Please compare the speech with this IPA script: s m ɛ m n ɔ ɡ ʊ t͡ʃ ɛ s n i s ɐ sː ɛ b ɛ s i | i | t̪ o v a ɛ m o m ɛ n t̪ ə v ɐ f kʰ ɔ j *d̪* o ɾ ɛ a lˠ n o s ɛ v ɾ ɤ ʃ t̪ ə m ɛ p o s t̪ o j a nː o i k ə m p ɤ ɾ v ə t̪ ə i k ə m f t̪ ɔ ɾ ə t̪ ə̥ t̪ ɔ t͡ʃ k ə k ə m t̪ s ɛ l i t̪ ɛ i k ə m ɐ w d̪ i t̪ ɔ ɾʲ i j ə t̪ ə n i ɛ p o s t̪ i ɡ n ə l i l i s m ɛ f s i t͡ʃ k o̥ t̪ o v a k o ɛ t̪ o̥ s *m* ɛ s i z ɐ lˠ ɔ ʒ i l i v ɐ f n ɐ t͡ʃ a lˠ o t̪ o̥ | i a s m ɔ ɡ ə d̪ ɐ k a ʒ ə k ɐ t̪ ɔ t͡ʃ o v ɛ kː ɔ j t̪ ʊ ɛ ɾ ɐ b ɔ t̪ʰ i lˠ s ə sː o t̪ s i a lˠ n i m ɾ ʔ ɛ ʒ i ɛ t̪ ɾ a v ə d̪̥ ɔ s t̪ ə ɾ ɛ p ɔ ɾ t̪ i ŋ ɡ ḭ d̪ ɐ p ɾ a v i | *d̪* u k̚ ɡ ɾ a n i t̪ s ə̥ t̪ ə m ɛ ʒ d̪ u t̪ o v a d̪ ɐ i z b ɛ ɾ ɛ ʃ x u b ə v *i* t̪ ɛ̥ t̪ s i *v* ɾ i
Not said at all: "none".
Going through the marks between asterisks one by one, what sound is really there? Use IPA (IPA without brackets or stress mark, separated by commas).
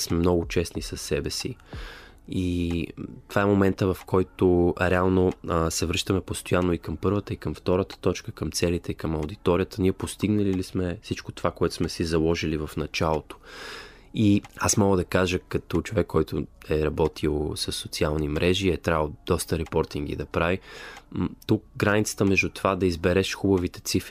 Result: t̪, m, t̪, i, f